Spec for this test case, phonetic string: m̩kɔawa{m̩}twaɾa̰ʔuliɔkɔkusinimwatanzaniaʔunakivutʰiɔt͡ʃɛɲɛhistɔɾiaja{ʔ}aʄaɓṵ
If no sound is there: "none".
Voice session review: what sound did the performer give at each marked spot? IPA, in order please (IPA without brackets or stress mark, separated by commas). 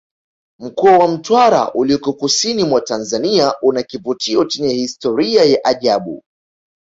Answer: m̩, ʔ